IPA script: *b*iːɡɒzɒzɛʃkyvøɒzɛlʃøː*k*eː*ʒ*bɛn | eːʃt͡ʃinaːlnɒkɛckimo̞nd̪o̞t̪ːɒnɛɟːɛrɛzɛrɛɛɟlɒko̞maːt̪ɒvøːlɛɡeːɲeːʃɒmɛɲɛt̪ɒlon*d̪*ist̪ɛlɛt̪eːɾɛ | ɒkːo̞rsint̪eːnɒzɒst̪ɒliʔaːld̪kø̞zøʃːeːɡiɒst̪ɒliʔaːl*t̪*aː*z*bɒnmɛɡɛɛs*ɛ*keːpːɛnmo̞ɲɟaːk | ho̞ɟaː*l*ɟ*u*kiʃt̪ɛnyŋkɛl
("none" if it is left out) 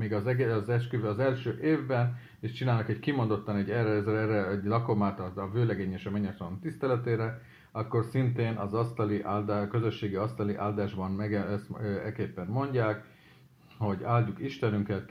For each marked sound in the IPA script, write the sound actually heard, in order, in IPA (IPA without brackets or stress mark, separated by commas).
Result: m, ʔ, v, t̪, d̪, ʒ, ɛ, l, u